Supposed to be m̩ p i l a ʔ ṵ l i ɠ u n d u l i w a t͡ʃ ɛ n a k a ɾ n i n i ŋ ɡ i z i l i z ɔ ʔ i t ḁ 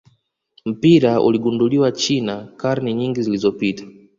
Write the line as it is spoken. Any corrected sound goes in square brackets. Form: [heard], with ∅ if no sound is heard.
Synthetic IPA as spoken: m̩ p i [ɾ] a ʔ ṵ l i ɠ u n d u l i w a t͡ʃ [i] n a k a ɾ n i [ɲ] i ŋ ɡ i z i l i z ɔ [p] i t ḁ